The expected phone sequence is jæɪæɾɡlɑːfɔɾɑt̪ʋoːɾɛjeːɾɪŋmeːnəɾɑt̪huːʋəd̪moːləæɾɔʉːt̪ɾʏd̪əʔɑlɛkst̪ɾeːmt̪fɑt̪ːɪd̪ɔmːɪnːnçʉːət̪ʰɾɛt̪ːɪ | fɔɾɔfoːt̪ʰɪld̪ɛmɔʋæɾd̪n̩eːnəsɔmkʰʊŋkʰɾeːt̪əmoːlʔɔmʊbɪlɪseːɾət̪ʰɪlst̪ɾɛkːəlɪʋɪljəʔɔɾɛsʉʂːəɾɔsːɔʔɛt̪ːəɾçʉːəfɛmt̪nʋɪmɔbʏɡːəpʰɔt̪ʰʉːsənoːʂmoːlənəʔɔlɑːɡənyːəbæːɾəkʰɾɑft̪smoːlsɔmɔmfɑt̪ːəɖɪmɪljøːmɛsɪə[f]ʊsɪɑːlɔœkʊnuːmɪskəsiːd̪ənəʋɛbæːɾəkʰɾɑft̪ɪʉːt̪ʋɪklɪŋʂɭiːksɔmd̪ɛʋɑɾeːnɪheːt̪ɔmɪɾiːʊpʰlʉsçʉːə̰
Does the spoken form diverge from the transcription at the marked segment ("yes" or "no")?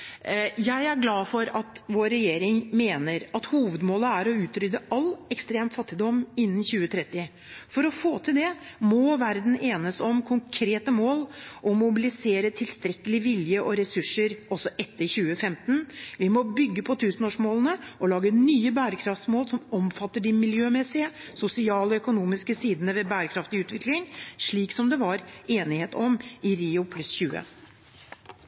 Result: yes